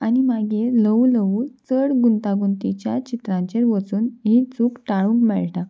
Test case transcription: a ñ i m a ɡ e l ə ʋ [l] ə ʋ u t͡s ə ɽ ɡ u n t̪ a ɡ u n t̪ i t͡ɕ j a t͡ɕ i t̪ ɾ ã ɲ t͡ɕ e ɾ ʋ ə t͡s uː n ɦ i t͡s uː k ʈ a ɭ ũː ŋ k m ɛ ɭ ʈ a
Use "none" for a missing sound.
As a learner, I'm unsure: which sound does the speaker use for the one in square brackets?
l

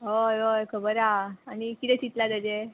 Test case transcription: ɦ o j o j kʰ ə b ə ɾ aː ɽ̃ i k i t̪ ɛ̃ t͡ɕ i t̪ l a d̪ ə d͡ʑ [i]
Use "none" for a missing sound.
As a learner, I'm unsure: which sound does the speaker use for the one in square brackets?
e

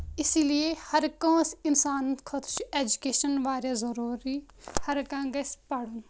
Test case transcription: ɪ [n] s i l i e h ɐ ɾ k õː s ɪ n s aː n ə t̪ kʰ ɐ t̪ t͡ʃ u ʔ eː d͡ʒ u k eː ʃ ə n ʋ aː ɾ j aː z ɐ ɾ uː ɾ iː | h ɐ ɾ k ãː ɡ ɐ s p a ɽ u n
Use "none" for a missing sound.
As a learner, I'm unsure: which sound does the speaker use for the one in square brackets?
none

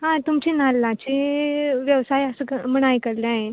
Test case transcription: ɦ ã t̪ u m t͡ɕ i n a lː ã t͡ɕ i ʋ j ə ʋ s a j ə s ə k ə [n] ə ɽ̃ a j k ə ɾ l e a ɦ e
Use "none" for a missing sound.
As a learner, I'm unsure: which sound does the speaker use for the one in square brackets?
m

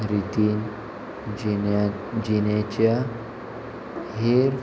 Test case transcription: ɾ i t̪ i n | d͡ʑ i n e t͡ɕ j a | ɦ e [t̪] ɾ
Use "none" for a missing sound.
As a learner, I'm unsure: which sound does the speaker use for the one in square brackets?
none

